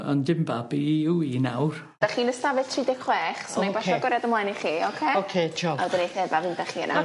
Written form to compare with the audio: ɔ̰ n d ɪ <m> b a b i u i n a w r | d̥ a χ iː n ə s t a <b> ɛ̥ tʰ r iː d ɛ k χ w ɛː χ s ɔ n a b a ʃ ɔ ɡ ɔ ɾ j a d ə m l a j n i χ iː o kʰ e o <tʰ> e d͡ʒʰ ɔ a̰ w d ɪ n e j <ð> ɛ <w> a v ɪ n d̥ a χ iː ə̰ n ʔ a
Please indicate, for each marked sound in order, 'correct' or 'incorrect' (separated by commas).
correct, incorrect, incorrect, incorrect, incorrect